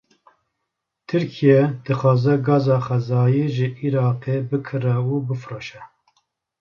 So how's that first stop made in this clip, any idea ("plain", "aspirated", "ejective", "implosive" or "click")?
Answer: aspirated